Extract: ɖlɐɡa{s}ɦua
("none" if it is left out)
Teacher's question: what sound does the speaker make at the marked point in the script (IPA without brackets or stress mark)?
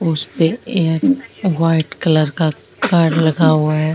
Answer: none